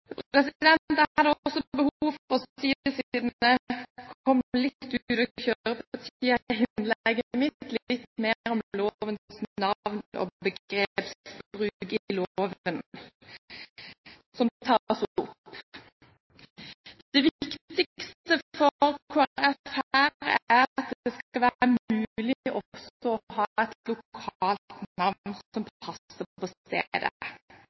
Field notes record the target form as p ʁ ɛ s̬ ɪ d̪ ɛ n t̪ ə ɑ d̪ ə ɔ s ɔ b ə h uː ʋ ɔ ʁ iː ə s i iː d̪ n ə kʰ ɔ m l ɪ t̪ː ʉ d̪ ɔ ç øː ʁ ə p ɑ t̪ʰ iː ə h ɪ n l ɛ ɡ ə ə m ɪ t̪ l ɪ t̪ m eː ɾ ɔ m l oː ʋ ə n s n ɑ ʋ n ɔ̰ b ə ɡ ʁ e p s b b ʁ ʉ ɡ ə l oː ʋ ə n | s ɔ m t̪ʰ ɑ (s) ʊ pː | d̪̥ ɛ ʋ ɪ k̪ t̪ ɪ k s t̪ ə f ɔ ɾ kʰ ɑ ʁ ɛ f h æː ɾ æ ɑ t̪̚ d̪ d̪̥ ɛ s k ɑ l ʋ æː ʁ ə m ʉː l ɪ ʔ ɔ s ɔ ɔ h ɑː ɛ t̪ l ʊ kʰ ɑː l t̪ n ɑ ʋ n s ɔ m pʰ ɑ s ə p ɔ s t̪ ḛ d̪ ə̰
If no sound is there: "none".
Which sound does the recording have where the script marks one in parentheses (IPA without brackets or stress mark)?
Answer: s